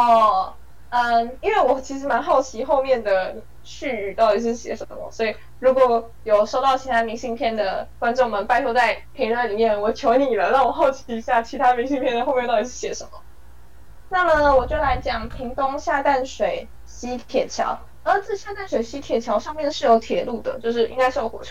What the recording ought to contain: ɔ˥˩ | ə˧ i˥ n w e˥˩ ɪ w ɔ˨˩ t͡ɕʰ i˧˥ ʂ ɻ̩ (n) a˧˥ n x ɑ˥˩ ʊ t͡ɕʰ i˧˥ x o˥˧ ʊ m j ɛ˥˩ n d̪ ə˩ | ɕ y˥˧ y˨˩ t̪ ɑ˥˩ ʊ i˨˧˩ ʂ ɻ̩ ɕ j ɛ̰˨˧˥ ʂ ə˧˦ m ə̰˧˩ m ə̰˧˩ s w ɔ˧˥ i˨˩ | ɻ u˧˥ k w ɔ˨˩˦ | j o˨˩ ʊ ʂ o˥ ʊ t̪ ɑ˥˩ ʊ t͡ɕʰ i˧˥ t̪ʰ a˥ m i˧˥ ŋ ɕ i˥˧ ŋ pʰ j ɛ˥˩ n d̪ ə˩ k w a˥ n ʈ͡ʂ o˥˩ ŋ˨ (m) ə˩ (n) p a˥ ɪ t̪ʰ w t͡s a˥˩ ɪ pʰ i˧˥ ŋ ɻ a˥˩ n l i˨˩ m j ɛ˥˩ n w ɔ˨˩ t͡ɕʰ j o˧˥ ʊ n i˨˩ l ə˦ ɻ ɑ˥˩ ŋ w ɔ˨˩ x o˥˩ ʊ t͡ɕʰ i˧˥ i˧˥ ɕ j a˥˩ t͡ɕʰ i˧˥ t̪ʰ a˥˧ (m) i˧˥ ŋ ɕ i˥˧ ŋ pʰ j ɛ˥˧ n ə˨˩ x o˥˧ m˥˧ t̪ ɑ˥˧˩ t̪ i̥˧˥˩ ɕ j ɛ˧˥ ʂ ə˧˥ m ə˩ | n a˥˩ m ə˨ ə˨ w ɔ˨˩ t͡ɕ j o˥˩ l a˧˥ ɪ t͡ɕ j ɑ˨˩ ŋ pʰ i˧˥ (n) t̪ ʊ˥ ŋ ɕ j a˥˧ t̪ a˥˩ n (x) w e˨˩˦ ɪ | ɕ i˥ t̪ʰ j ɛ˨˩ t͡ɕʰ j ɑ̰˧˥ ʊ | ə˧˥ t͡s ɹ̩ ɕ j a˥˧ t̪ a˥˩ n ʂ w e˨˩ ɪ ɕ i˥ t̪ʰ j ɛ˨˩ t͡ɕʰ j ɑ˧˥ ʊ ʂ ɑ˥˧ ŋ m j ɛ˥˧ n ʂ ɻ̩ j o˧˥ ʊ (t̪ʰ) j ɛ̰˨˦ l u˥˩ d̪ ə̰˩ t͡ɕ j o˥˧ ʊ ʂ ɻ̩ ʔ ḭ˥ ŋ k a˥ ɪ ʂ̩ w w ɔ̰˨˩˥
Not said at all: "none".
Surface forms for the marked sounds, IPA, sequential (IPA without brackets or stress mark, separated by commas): m, m, n, m, ŋ, ʂ, t̪ʰ